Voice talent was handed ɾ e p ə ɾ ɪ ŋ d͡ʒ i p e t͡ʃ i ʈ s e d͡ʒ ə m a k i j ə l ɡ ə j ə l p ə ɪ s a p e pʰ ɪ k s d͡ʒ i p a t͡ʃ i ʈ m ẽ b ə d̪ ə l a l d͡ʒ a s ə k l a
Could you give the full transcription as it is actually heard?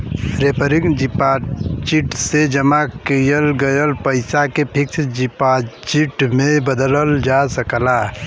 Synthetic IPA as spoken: ɾ e p ə ɾ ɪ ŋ d͡ʒ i p a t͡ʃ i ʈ s e d͡ʒ ə m a k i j ə l ɡ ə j ə l p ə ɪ s a k e pʰ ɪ k s d͡ʒ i p a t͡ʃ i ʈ m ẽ b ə d̪ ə l ə l d͡ʒ a s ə k l a